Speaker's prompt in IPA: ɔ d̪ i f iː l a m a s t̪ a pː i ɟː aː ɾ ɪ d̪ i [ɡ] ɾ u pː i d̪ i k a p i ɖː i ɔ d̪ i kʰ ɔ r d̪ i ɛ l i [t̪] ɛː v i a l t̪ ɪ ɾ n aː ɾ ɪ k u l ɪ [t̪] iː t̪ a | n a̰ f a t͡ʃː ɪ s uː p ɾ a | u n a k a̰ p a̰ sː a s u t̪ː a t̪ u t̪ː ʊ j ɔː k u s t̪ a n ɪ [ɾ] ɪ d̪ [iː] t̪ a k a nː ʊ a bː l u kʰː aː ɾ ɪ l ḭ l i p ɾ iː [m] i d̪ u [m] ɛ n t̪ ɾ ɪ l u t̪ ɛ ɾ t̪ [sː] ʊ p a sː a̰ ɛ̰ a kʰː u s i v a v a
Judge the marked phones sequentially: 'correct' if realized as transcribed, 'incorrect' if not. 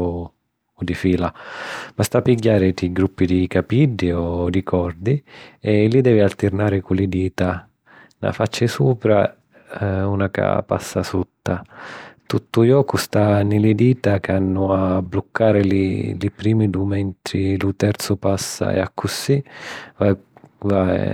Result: correct, incorrect, incorrect, incorrect, correct, correct, correct, incorrect

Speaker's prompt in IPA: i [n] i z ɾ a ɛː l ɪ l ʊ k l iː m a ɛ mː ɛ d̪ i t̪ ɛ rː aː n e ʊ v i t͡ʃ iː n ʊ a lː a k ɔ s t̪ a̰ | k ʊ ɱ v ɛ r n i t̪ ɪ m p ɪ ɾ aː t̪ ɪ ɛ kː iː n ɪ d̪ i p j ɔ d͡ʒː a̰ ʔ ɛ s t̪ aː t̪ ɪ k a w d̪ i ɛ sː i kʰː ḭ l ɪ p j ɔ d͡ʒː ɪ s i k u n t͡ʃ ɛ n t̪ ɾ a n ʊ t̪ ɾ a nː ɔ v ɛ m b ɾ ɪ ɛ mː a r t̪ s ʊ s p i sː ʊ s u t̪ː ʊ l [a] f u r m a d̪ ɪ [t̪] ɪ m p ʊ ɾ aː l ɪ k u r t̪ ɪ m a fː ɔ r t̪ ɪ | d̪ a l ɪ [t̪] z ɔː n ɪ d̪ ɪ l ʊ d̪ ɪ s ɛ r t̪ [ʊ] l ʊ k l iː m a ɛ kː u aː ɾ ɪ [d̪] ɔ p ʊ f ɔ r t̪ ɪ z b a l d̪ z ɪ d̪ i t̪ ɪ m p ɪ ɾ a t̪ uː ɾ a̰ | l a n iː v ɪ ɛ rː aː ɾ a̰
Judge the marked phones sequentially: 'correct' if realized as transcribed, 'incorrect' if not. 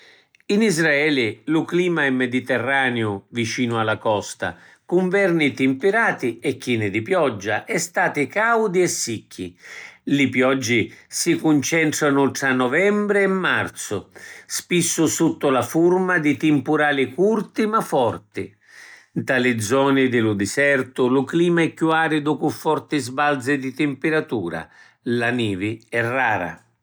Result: correct, correct, correct, incorrect, correct, correct

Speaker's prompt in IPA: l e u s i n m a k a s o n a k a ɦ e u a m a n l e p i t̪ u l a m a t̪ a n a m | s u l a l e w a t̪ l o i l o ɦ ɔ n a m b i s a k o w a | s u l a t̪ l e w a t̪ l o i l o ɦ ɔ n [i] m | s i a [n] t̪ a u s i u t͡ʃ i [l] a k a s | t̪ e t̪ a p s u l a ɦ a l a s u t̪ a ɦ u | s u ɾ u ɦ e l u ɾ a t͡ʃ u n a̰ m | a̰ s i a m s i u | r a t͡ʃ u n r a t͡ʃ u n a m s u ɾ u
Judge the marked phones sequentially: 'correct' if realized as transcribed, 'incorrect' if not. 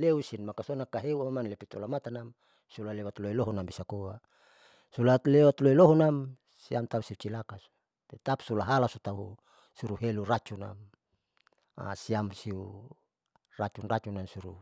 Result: incorrect, incorrect, correct

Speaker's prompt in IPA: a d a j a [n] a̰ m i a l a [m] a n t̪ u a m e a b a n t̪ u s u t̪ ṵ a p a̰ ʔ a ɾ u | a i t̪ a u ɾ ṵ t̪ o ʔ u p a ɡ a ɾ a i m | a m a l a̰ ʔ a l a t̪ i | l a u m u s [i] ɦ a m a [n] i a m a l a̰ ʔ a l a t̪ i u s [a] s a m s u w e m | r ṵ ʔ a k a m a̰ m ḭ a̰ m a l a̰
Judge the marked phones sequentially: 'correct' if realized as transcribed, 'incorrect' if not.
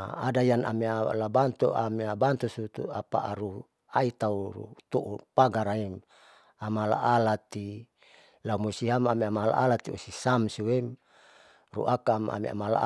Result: correct, incorrect, correct, incorrect, incorrect

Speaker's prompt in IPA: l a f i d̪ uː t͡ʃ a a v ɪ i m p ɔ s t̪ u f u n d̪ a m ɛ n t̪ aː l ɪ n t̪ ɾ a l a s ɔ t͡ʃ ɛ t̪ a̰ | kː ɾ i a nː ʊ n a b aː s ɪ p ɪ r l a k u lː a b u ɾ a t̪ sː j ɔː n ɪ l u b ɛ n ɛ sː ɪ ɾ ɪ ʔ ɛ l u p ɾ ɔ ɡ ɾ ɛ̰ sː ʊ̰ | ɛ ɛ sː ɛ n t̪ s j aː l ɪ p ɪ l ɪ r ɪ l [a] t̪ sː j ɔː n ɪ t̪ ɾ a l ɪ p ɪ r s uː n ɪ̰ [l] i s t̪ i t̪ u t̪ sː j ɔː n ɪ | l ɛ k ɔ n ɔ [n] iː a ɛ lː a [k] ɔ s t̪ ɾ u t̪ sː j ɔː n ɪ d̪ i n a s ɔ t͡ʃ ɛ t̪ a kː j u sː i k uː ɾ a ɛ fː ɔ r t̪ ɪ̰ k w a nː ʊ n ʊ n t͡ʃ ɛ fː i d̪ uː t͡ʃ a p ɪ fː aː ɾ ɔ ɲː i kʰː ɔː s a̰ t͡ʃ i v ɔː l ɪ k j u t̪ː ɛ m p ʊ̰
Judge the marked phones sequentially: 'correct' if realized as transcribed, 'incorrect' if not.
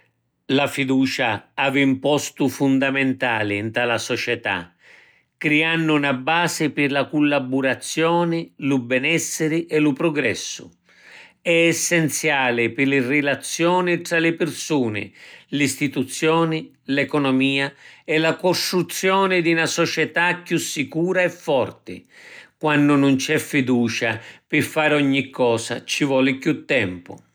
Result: correct, correct, incorrect, correct

